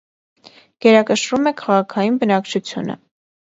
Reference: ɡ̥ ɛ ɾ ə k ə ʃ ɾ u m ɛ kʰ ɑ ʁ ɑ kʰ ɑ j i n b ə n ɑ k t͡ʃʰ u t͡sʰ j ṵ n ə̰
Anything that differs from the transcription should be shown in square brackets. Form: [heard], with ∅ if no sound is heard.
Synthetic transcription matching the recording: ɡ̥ ɛ ɾ [ɑ] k ə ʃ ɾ u m ɛ kʰ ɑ ʁ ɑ kʰ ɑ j i n b ə n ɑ k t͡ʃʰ u t͡sʰ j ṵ n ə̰